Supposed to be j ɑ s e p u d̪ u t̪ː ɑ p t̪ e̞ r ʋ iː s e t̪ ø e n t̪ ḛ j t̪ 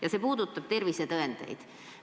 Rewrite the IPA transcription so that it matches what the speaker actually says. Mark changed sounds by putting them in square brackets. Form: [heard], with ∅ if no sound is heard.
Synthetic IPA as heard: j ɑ s e p [uː] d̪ u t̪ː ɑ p t̪ e̞ r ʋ [i] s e t̪ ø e n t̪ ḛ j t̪